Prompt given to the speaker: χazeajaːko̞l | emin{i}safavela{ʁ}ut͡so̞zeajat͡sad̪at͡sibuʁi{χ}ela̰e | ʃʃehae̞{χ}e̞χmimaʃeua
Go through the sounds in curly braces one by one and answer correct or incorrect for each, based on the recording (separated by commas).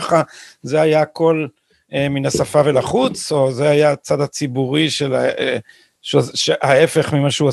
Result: incorrect, incorrect, incorrect, incorrect